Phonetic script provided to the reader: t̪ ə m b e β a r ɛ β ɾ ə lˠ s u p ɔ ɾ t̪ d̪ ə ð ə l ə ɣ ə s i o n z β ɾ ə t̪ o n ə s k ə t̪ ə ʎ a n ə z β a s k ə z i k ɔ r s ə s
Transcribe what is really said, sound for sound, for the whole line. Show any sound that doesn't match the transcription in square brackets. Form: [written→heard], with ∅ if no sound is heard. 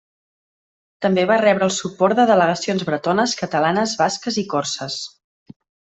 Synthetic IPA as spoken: t̪ ə m b e β a r ɛ β ɾ ə lˠ s u p ɔ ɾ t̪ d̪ ə ð ə l ə ɣ ə s i o n z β ɾ ə t̪ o n ə s k ə t̪ ə [ʎ→l] a n ə z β a s k ə z i k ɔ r s ə s